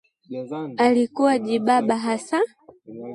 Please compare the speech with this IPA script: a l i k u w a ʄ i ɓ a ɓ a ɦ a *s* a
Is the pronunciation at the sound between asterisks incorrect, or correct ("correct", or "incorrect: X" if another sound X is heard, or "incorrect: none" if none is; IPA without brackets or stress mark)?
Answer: correct